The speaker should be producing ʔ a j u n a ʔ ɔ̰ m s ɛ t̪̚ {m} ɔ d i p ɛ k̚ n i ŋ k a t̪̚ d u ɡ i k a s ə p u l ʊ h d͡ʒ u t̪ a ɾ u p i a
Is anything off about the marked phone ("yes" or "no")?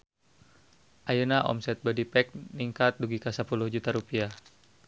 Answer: yes